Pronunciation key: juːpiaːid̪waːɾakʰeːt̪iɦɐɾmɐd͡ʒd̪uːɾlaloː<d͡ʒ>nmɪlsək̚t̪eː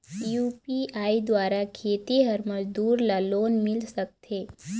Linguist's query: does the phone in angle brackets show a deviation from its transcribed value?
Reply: yes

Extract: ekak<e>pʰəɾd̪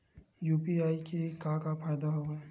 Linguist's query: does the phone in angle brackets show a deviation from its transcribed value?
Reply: yes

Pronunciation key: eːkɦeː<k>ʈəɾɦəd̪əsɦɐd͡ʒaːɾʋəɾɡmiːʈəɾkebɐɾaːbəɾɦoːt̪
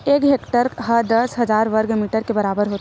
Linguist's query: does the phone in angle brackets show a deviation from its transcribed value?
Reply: no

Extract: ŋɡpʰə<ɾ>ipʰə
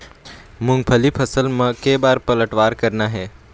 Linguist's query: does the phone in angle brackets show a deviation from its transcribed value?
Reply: yes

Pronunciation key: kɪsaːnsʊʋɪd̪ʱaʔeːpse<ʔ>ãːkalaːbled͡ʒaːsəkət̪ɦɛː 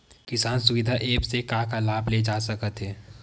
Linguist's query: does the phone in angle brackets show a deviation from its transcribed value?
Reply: yes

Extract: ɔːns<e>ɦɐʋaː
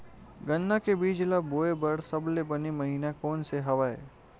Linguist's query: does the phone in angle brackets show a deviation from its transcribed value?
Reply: no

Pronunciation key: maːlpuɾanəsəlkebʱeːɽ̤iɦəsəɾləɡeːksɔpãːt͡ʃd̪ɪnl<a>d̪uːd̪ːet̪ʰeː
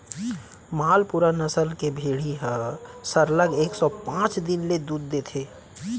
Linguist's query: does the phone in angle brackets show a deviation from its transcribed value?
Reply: yes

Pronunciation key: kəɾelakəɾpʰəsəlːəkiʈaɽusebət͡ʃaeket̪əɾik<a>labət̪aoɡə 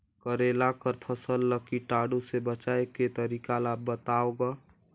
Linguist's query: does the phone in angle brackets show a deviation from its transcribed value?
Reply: no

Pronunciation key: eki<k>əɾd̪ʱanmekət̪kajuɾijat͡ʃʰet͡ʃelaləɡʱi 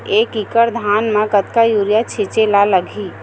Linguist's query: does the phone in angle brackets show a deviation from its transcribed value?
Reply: no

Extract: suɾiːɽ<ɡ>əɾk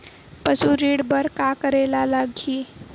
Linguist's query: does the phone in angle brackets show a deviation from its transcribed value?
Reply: yes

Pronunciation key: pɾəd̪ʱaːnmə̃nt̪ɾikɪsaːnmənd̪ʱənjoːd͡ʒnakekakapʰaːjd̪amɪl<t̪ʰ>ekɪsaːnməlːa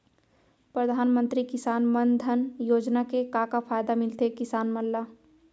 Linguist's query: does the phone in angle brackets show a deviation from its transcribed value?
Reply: yes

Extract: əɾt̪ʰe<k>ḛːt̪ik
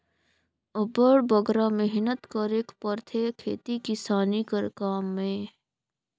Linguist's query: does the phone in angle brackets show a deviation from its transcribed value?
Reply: yes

